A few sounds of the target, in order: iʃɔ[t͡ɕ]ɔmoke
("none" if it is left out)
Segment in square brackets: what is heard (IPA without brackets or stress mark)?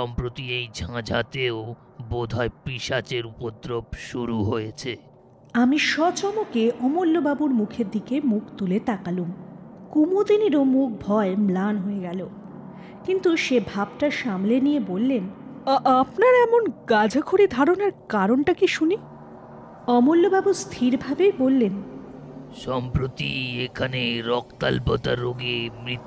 t͡ɕ